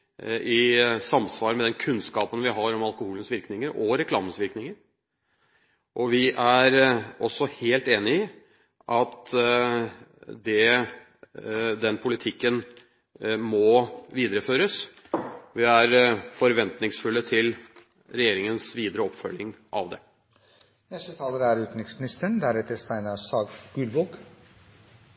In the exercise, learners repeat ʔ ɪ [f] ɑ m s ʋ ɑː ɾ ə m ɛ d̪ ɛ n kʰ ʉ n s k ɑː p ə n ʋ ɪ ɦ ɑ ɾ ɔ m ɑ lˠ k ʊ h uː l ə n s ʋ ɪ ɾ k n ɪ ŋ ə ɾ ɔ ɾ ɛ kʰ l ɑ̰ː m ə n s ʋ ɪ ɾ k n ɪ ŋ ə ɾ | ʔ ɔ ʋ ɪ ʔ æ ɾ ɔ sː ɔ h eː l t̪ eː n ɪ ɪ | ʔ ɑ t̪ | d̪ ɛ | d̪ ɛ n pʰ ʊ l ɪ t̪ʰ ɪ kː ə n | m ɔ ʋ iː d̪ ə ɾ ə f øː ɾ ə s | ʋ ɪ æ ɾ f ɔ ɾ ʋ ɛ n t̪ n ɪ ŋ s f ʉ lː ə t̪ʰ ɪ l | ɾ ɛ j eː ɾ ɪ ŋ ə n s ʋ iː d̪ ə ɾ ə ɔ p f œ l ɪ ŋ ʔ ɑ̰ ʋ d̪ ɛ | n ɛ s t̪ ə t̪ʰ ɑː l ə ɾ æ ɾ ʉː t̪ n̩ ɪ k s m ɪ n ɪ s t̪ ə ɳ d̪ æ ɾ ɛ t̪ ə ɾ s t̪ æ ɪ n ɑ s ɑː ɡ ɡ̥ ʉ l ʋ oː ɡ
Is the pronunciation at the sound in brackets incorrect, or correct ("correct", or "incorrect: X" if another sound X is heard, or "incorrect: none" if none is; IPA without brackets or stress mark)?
incorrect: s